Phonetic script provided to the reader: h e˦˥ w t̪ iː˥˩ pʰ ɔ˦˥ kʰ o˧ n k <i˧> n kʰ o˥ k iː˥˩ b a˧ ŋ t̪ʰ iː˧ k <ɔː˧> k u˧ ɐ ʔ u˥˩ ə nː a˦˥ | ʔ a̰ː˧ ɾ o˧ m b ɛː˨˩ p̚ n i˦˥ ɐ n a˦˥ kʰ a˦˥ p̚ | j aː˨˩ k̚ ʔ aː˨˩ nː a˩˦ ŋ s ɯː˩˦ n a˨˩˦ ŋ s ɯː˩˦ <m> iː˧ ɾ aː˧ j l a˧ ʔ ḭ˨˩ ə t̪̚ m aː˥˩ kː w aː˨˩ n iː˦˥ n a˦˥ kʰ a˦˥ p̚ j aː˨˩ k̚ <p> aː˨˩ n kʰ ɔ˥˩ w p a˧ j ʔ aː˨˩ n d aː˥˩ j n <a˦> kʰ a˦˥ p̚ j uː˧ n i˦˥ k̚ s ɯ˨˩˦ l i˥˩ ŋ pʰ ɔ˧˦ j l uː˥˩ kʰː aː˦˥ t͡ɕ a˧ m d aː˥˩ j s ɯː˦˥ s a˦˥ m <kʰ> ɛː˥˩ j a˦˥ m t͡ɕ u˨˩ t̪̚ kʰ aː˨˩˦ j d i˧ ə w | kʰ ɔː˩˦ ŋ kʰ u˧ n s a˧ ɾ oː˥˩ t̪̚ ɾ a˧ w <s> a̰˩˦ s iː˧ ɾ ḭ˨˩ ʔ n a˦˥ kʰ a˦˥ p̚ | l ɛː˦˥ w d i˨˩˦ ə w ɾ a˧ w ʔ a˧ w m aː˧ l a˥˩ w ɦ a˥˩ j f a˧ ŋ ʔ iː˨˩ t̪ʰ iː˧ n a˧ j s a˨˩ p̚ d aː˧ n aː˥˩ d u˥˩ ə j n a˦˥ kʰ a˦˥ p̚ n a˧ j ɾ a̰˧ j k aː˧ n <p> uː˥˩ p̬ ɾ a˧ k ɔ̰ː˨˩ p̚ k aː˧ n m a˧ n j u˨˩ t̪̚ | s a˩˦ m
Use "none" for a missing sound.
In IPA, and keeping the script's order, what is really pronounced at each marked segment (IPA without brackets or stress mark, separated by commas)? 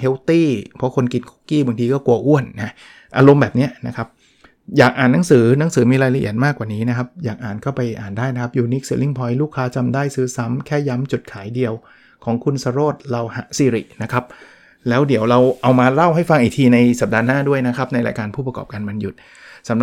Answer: i˧, ɔː˥˩, m, ʔ, a˦, kʰ, h, pʰ